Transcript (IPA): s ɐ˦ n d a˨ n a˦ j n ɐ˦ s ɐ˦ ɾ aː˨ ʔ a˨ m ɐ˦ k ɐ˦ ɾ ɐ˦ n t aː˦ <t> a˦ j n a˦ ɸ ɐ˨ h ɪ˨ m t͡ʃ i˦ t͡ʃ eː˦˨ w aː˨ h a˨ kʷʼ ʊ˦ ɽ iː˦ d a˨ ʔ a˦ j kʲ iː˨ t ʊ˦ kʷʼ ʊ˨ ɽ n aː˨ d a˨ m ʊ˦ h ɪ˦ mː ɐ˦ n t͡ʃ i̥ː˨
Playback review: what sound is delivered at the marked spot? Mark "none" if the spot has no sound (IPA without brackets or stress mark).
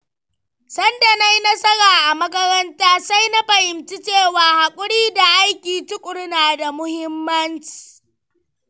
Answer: s